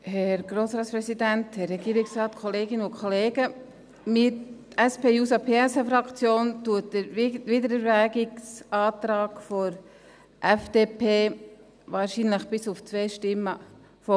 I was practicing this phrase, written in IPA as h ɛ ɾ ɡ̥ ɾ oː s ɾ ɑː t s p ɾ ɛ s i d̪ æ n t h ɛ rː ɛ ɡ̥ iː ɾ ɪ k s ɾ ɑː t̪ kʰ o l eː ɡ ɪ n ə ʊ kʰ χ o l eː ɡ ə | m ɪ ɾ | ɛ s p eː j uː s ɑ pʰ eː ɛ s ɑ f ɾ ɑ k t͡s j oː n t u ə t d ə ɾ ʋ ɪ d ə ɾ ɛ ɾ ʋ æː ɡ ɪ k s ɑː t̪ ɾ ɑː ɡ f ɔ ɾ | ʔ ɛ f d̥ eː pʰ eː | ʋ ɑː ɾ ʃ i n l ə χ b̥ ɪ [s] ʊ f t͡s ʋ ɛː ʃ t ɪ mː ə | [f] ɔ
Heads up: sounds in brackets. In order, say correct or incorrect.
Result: correct, correct

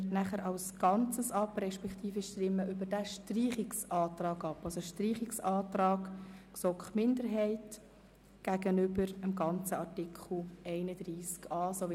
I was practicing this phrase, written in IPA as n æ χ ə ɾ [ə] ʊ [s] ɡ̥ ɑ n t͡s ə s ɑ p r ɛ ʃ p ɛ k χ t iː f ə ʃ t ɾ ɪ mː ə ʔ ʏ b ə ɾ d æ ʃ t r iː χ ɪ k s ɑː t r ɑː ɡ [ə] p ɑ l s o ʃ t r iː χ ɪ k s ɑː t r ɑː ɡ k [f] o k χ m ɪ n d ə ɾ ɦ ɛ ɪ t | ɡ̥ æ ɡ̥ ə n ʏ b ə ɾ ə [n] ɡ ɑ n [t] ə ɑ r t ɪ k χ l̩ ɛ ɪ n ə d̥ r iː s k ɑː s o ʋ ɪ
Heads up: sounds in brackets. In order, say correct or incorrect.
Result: incorrect: ɑ, correct, incorrect: ɑ, incorrect: s, incorrect: m, incorrect: t͡s

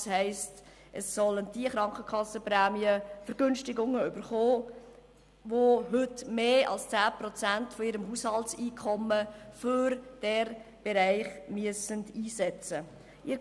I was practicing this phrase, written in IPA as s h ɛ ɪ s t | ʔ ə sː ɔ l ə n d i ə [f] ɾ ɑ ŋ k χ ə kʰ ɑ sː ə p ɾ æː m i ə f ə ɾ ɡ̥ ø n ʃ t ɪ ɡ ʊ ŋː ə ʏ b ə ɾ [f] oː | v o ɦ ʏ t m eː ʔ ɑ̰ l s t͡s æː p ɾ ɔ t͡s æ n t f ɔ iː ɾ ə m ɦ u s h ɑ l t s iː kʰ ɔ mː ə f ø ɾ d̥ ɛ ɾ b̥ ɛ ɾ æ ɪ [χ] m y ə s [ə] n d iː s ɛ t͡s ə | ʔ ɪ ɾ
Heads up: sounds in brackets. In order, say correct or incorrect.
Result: incorrect: χ, incorrect: χ, correct, correct

